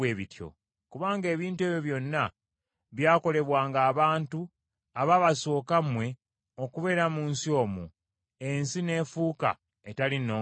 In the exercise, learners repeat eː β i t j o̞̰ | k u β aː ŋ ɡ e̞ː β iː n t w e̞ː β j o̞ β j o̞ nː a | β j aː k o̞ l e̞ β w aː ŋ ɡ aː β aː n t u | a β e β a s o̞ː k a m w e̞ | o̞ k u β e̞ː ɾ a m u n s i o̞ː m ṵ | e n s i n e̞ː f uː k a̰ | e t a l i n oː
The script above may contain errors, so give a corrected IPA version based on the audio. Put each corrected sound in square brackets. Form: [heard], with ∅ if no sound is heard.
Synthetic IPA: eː β i t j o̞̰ | k u β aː ŋ ɡ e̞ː β iː n t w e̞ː β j o̞ β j o̞ nː a | β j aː k o̞ l e̞ β w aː ŋ ɡ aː β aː n t u | a β [a] β a s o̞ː k a m w e̞ | o̞ k u β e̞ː ɾ a m u n s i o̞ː m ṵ | e n s i n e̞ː f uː k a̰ | e t a l i n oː